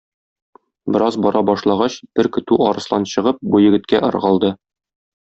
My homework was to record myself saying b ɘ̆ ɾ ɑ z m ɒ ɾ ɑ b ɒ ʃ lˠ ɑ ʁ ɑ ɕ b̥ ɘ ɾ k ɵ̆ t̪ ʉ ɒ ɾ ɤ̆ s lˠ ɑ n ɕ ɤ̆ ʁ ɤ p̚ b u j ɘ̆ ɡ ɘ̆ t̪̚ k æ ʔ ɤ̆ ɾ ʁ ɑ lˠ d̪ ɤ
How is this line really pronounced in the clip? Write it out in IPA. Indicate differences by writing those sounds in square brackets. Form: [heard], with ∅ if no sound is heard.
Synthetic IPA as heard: b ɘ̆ ɾ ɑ z [b] ɒ ɾ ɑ b ɒ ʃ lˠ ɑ ʁ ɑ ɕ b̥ ɘ ɾ k ɵ̆ t̪ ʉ ɒ ɾ ɤ̆ s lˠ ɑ n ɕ ɤ̆ ʁ ɤ p̚ b u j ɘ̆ ɡ ɘ̆ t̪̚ k æ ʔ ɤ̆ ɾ ʁ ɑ lˠ d̪ ɤ

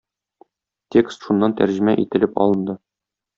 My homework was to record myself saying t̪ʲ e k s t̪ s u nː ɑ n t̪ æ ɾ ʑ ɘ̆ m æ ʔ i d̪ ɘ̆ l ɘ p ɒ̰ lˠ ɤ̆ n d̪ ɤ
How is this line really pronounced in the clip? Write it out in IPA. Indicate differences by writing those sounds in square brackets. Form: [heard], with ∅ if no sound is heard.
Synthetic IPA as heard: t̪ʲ e k s t̪ [ʃ] u nː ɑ n t̪ æ ɾ ʑ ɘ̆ m æ ʔ i [t̪] ɘ̆ l ɘ p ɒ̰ lˠ ɤ̆ n d̪ ɤ

